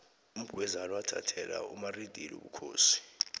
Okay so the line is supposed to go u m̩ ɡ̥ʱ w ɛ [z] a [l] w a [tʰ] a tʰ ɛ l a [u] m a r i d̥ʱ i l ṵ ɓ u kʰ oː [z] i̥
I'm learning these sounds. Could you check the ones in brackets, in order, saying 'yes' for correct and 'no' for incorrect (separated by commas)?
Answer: yes, yes, yes, yes, no